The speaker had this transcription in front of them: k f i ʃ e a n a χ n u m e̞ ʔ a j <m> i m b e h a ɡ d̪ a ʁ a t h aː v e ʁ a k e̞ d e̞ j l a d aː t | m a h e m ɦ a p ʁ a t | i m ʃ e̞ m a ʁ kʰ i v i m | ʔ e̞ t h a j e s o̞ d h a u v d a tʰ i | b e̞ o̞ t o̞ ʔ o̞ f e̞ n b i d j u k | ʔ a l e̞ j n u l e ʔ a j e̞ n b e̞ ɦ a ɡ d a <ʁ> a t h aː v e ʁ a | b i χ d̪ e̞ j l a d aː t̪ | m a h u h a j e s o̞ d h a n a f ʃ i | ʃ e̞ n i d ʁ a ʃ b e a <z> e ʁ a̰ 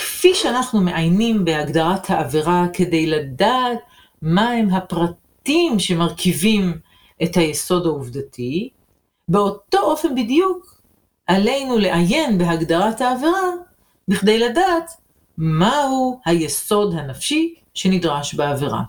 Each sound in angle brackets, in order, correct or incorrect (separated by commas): incorrect, correct, incorrect